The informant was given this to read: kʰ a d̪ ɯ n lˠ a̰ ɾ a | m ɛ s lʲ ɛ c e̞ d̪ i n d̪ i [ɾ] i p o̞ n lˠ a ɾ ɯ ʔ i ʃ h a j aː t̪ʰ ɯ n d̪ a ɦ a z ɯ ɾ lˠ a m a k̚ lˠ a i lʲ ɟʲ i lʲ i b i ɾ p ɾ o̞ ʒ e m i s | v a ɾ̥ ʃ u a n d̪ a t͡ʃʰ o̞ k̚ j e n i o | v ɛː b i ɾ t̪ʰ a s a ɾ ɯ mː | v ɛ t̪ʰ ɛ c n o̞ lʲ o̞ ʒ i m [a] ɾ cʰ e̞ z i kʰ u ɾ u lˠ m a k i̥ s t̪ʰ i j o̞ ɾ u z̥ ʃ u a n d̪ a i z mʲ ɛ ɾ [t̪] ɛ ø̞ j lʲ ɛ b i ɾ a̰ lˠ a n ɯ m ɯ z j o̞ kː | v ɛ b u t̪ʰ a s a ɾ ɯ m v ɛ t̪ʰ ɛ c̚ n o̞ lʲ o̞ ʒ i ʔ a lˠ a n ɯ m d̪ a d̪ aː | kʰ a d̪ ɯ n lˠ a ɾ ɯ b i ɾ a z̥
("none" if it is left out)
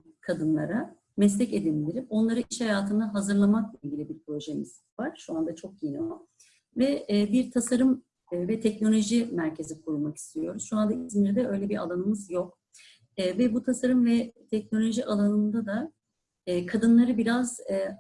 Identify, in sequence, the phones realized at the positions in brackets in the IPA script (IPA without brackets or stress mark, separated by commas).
ɾ, æ, d̪